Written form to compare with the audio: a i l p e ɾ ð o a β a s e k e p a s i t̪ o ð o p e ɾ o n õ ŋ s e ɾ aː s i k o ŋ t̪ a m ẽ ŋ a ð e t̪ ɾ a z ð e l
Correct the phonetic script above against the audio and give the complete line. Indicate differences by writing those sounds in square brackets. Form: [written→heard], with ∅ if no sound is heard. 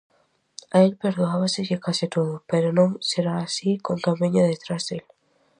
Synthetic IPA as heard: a [i→e] l p e ɾ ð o a β a s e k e [p→k] a s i t̪ o ð o p e ɾ o n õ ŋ s e ɾ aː s i k o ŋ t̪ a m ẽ [ŋ→ɲ] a ð e t̪ ɾ a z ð e l